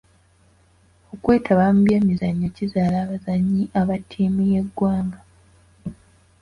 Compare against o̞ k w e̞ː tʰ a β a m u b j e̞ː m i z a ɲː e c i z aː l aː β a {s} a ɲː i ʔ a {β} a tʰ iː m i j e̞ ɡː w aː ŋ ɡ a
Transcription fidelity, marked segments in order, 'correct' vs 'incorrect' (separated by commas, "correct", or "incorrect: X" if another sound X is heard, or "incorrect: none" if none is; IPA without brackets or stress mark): incorrect: z, correct